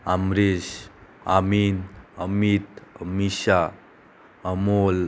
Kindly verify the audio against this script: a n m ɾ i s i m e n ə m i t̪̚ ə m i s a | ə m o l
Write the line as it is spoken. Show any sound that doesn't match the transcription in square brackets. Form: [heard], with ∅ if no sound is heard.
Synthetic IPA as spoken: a [∅] m ɾ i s [a] m [i] n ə m i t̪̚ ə m i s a | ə m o l